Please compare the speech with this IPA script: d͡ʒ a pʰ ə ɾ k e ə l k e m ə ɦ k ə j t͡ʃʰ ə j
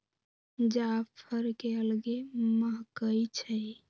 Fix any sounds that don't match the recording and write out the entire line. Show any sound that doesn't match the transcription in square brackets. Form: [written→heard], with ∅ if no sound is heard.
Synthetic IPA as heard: d͡ʒ a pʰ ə ɾ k e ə l [k→ɡ] e m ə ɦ k ə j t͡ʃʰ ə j